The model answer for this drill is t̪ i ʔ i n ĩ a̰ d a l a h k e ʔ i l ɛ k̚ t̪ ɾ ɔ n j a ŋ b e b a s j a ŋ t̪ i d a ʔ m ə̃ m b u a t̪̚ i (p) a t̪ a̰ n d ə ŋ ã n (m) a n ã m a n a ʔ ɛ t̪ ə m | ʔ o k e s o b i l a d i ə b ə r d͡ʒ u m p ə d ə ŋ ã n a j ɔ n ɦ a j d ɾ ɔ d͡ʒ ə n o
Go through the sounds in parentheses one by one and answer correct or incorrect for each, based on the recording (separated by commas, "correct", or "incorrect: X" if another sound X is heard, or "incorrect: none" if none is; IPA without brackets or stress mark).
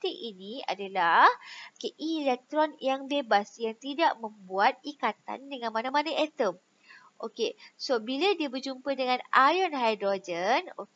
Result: incorrect: k, correct